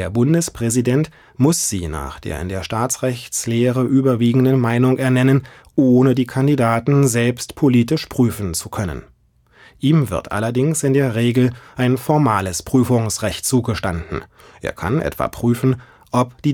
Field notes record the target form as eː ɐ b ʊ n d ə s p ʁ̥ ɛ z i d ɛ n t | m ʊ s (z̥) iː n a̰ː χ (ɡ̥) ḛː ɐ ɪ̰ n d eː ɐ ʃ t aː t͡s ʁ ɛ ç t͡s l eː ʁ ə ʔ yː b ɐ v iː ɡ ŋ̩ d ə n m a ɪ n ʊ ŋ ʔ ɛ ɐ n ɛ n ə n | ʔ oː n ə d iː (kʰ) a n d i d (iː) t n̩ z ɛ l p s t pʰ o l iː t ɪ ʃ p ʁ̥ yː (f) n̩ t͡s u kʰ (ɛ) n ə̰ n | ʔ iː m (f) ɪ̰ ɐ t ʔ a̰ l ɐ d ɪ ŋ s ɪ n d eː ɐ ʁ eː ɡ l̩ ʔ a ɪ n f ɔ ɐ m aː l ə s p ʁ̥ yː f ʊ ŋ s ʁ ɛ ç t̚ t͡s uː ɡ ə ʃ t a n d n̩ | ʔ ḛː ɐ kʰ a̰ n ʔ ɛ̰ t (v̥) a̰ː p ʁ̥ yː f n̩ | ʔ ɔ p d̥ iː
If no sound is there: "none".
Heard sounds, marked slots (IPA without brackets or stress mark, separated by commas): z̥, d̥, kʰ, aː, f, œ, v, v̥